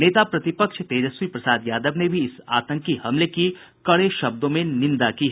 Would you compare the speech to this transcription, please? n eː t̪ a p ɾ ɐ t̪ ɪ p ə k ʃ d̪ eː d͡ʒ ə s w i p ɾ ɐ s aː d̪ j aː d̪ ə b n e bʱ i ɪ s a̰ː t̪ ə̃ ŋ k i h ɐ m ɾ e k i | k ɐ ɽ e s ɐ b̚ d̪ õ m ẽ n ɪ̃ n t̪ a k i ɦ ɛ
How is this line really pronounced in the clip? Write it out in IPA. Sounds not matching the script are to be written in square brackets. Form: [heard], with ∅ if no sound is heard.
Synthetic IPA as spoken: n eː t̪ a p ɾ ɐ t̪ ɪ p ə k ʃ [t̪] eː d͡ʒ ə s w i p ɾ ɐ s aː d̪ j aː d̪ ə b n e bʱ i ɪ s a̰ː t̪ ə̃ ŋ k i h ɐ m [l] e k i | k ɐ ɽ e [ʃ] ɐ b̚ d̪ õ m ẽ n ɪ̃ n [d̪] a k i ɦ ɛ